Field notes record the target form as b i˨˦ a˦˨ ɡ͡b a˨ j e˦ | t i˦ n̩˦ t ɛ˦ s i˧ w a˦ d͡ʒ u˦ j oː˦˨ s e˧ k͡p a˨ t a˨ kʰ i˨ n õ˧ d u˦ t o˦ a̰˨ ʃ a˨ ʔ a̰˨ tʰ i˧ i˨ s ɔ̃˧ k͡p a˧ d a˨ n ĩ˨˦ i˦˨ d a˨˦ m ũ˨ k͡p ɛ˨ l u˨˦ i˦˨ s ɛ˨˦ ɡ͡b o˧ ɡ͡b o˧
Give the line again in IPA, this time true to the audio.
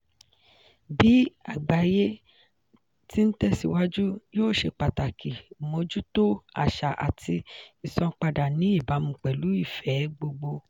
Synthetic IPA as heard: b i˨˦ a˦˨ ɡ͡b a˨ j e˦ | t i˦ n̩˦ t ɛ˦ s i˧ w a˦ d͡ʒ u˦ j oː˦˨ ʃ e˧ k͡p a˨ t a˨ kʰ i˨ m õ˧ d͡ʒ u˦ t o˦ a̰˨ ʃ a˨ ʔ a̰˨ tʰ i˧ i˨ s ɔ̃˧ k͡p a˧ d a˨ n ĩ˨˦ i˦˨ b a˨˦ m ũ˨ k͡p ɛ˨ l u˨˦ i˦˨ f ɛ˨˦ ɡ͡b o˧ ɡ͡b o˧

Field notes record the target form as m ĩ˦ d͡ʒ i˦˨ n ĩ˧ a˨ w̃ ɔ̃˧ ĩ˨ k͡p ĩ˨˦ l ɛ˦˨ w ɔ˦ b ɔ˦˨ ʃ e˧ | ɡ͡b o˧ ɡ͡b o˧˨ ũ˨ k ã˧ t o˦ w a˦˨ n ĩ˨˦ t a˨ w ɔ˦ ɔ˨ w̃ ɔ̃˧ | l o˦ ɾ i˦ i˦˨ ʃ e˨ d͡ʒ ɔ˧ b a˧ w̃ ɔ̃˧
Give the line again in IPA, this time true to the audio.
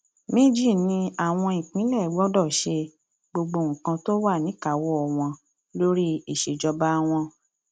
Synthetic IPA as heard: m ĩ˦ d͡ʒ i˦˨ n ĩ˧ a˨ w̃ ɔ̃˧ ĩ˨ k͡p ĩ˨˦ l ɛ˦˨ w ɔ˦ d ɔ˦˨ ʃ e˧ | ɡ͡b o˧ ɡ͡b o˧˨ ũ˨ k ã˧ t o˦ w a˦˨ n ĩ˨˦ k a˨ w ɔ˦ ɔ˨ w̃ ɔ̃˧ | l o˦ ɾ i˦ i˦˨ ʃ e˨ d͡ʒ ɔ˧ b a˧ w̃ ɔ̃˧

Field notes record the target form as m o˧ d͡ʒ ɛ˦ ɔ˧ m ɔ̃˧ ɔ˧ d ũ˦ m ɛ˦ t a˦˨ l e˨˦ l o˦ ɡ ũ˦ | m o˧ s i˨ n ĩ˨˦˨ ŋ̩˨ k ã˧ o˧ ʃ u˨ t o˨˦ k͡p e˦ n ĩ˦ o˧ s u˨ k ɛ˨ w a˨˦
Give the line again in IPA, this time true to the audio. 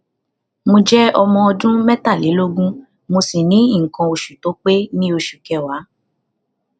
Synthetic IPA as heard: m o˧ d͡ʒ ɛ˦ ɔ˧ m ɔ̃˧ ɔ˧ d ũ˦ m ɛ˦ t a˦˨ l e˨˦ l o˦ ɡ ũ˦ | m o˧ s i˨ n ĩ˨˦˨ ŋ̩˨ k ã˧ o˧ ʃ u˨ t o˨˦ k͡p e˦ n ĩ˦ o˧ ʃ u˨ k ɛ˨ w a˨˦

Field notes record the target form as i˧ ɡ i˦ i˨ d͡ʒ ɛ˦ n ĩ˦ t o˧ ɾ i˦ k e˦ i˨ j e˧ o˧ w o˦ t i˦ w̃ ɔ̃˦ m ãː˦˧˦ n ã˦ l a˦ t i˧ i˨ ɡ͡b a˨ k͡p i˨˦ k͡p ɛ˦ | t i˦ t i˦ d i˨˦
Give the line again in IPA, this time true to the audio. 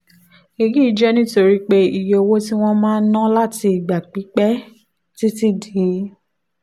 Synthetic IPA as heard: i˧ ɡ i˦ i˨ d͡ʒ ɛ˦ n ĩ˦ t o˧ ɾ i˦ k͡p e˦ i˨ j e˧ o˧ w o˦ t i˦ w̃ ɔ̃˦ m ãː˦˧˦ n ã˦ l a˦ t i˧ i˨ ɡ͡b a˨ k͡p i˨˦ k͡p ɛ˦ | t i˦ t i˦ d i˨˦

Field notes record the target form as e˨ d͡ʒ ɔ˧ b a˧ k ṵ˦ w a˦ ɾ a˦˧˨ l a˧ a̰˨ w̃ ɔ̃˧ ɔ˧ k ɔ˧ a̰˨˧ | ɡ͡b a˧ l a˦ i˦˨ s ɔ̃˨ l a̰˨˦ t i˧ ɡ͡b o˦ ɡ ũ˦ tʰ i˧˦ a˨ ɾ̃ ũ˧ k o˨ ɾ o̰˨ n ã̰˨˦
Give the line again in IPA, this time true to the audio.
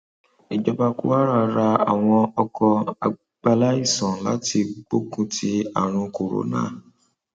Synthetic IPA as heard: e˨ d͡ʒ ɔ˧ b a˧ k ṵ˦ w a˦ ɾ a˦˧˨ ɾ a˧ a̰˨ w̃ ɔ̃˧ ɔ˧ k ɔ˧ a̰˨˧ | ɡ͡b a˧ l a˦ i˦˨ s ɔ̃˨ l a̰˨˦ t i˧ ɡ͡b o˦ k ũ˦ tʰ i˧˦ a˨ ɾ̃ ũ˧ k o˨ ɾ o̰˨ n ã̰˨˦

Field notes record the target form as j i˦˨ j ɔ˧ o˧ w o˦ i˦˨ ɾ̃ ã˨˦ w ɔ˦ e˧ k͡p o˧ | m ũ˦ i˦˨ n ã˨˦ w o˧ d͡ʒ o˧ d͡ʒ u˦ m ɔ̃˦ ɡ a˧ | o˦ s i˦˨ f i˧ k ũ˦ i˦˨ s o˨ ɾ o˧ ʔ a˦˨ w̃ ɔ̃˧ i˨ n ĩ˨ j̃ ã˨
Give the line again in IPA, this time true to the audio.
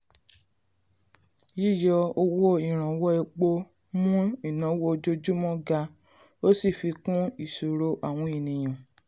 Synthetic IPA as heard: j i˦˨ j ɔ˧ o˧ w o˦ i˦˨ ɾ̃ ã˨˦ w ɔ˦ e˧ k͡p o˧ | m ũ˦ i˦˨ n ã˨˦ w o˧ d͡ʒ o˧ d͡ʒ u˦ m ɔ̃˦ ɡ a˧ | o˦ s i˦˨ f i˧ k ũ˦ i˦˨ s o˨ ɾ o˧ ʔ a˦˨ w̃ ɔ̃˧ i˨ n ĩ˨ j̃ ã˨

